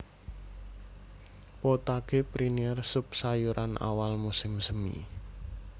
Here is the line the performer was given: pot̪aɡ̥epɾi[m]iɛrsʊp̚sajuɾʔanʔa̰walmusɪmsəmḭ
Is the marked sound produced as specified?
no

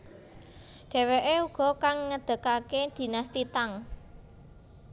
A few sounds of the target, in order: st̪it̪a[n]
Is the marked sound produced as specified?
no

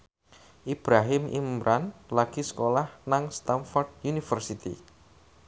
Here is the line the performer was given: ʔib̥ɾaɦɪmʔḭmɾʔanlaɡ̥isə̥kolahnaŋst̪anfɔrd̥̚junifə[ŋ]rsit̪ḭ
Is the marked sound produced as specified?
no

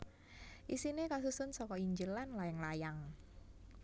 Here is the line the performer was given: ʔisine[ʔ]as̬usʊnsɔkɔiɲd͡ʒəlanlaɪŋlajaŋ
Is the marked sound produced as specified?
no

